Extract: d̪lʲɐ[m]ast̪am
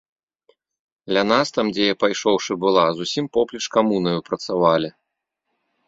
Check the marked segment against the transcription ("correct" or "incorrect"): incorrect